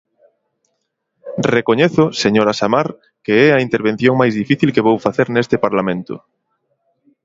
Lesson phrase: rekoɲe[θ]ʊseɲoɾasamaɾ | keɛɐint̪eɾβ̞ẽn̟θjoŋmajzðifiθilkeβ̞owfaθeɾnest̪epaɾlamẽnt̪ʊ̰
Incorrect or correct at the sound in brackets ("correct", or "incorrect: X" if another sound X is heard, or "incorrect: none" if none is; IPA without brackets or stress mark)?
correct